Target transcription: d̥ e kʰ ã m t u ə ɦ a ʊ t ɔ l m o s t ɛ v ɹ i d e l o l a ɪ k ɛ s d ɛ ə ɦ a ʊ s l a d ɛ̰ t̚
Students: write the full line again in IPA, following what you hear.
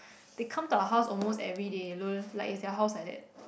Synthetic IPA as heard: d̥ e kʰ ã m t u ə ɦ a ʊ s ɔ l m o s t ɛ v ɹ i d e l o l a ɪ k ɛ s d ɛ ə ɦ a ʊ s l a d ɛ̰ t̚